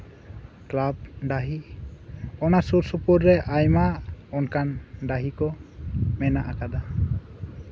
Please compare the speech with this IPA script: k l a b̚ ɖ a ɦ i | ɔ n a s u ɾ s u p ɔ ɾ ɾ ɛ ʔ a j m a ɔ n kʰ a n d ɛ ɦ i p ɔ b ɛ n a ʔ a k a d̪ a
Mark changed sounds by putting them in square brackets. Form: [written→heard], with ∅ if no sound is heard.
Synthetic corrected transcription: k l a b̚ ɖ a ɦ i | ɔ n a s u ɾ s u p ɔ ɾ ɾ ɛ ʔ a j m a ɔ n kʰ a n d [ɛ→a] ɦ i [p→k] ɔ [b→m] ɛ n a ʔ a k a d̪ a